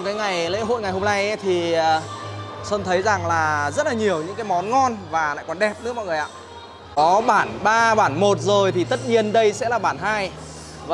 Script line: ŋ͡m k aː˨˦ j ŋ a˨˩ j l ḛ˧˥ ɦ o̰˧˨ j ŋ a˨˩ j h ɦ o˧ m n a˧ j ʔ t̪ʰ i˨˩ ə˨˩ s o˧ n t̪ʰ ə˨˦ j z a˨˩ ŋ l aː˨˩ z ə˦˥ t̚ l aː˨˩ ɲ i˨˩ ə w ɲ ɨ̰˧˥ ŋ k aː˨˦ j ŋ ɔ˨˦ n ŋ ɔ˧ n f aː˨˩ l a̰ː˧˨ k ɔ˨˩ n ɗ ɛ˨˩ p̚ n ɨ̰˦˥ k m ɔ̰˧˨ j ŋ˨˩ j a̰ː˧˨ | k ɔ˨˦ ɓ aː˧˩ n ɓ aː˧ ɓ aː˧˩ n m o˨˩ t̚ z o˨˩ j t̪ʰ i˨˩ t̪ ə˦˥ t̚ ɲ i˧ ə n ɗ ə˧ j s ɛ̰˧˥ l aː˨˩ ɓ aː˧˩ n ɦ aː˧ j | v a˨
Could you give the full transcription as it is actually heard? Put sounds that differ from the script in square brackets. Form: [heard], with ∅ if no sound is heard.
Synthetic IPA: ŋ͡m k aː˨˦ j ŋ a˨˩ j l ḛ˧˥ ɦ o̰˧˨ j ŋ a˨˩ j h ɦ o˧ m n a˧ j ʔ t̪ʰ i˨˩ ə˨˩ s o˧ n t̪ʰ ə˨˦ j z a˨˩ ŋ l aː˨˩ z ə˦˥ t̚ l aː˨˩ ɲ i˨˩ ə w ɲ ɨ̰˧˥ ŋ k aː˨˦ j [m] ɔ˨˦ n ŋ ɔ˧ n [v] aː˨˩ l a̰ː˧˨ k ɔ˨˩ n ɗ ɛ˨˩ p̚ n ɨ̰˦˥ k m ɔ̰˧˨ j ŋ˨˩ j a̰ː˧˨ | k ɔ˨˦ ɓ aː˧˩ n ɓ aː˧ ɓ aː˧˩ n m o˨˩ t̚ z o˨˩ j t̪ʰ i˨˩ t̪ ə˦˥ t̚ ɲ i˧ ə n ɗ ə˧ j s ɛ̰˧˥ l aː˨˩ ɓ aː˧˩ n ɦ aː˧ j | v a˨